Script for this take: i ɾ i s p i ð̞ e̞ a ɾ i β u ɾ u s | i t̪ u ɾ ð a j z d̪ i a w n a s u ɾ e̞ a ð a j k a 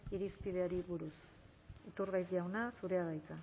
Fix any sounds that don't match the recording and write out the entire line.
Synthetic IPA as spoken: i ɾ i s p i ð̞ e̞ a ɾ i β u ɾ u s | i t̪ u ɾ ɣ a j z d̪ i a w n a s u ɾ e̞ a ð a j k a